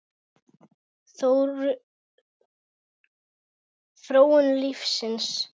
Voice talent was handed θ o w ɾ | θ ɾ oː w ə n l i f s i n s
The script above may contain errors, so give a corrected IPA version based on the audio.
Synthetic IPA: θ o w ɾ | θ ɾ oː w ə n l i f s ɪ n s